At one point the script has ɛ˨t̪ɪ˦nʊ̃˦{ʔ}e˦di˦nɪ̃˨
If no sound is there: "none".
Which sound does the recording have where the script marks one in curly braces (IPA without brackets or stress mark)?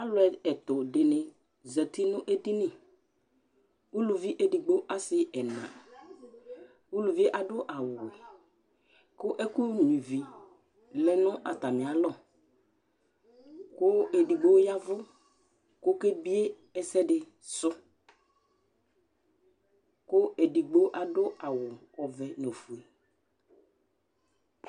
ʔ